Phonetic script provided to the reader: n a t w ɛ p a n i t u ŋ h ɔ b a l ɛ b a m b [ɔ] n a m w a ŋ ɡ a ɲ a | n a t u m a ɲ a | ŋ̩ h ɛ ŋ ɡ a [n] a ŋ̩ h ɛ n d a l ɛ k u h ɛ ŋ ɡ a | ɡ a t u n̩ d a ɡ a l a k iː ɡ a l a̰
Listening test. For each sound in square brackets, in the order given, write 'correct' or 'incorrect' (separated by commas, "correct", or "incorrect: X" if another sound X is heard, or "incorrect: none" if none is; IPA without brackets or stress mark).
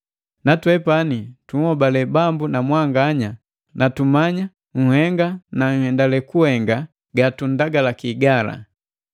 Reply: incorrect: u, correct